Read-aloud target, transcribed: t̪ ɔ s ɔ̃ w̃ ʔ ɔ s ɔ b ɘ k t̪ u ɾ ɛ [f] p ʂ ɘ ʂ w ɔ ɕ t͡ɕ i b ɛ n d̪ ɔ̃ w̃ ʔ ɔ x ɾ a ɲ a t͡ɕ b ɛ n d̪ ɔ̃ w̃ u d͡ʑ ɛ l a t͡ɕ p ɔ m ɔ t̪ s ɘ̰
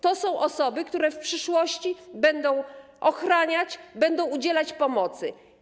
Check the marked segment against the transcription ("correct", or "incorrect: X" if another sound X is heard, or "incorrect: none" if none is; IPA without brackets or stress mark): correct